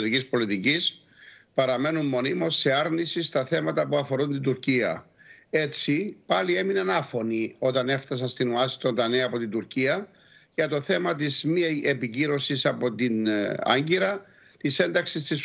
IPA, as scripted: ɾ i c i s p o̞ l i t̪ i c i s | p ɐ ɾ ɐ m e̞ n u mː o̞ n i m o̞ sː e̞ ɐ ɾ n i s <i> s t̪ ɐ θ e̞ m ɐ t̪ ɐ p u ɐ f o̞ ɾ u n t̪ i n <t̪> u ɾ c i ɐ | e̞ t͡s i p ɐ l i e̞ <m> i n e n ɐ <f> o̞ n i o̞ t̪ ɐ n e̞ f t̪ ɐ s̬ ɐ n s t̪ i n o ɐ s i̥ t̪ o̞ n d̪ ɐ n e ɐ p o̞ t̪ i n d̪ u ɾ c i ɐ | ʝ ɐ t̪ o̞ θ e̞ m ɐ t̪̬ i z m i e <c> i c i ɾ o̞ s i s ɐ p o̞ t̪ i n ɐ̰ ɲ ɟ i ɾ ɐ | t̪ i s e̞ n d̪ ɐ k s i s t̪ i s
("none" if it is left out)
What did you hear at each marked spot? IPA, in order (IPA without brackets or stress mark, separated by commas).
i, d̪, m, f, p